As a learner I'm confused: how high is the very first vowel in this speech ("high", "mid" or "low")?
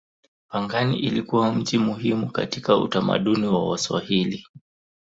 low